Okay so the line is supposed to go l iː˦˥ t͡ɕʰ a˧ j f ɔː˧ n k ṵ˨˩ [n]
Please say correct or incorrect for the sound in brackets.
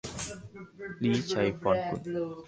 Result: correct